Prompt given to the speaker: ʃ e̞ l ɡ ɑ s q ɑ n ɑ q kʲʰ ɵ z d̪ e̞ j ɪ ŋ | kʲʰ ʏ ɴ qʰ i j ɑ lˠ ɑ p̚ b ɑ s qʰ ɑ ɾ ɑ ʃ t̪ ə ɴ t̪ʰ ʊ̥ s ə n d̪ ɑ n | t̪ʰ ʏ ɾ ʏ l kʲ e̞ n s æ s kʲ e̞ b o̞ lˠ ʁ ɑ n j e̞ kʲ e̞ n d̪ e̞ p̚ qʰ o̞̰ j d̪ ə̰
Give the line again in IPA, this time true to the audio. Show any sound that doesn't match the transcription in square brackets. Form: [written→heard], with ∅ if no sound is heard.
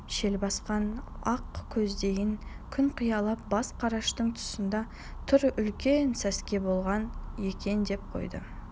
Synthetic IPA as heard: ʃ e̞ l [ɡ→b] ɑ s q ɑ n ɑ q kʲʰ ɵ z d̪ e̞ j ɪ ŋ | kʲʰ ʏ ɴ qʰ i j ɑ lˠ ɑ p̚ b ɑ s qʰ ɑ ɾ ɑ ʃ t̪ ə ɴ t̪ʰ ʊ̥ s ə n d̪ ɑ [n→∅] | t̪ʰ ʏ ɾ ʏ l kʲ e̞ n s æ s kʲ e̞ b o̞ lˠ ʁ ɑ n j e̞ kʲ e̞ n d̪ e̞ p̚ qʰ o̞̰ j d̪ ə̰